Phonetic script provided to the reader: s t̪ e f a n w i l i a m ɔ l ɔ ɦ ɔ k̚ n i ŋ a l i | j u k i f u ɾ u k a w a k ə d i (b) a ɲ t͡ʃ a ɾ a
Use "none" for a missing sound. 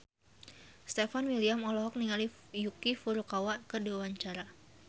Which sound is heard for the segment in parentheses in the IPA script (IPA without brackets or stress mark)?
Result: w